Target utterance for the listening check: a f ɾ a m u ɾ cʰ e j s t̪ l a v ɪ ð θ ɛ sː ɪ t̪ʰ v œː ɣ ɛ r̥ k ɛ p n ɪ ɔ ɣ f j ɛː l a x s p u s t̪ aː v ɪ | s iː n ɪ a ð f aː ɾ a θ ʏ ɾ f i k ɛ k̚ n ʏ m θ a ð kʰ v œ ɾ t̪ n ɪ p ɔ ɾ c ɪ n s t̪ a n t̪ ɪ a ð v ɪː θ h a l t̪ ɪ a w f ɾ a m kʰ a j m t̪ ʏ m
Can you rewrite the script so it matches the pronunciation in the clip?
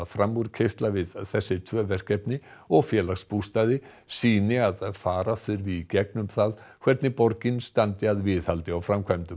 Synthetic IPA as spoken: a f ɾ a m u ɾ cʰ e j s t̪ l a v ɪ ð θ ɛ sː ɪ t̪ʰ v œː v ɛ r̥ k ɛ p n ɪ ɔ ɣ f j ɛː l a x s p u s t̪ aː ð ɪ | s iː n ɪ a ð f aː ɾ a θ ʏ ɾ v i c ɛ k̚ n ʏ m θ a ð kʰ v ɛ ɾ t̪ n ɪ p ɔ ɾ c ɪ n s t̪ a n t̪ ɪ a ð v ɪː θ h a l t̪ ɪ a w f ɾ a m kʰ a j m t̪ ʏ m